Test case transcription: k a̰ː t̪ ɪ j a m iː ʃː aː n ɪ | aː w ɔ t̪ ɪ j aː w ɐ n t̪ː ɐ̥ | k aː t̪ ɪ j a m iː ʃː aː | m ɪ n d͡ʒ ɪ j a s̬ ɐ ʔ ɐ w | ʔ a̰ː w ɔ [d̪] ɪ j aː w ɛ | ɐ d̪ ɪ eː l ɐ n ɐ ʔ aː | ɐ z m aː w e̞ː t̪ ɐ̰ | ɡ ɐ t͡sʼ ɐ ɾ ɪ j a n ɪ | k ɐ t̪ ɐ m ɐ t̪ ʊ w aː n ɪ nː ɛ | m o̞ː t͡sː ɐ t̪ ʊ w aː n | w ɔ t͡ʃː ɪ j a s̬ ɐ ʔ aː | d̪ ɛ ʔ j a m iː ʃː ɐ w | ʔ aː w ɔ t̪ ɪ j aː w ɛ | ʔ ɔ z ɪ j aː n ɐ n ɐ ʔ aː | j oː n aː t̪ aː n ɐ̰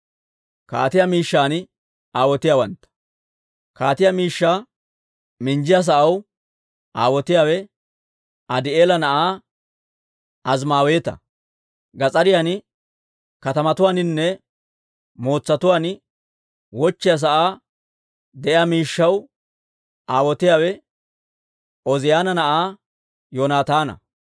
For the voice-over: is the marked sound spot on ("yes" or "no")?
no